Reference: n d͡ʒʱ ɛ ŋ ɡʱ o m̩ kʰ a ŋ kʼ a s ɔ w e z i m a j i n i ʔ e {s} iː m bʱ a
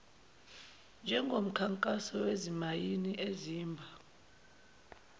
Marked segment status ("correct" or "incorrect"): incorrect